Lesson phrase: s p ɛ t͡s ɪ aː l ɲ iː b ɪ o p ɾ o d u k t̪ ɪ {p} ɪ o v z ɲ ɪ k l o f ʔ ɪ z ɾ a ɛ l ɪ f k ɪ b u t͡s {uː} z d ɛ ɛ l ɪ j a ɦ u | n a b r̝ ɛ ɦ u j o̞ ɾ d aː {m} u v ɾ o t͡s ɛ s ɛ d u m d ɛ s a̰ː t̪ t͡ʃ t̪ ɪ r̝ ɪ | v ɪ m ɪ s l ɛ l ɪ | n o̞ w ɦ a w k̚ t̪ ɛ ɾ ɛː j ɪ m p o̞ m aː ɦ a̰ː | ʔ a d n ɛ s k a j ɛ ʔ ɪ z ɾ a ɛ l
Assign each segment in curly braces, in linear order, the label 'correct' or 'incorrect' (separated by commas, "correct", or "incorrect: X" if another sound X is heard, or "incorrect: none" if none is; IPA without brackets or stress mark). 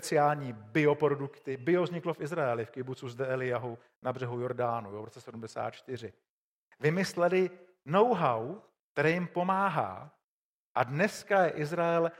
incorrect: b, incorrect: u, incorrect: n